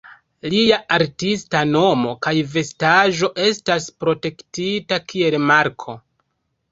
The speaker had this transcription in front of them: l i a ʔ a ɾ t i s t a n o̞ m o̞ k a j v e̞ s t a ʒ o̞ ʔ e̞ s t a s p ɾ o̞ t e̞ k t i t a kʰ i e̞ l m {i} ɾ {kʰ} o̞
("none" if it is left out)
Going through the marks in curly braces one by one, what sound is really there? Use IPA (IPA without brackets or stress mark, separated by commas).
a, kʰ